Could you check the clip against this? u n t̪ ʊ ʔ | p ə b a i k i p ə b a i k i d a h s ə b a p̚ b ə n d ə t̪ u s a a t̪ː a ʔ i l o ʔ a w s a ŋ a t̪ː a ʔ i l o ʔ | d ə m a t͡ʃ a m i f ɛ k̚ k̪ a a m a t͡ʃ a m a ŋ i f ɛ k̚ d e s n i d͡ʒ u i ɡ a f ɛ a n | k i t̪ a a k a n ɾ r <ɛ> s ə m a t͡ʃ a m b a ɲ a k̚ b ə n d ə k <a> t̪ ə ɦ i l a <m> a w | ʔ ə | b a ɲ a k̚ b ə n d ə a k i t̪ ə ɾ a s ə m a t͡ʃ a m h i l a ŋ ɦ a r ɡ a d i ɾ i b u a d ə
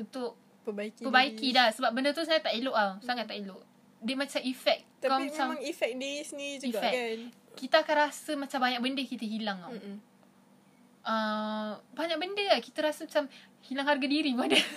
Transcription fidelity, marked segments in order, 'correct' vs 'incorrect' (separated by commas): incorrect, incorrect, incorrect